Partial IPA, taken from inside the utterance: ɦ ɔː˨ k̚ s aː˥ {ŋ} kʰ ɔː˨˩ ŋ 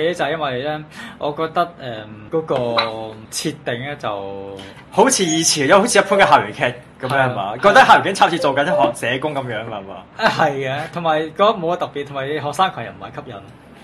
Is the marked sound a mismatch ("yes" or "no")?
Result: no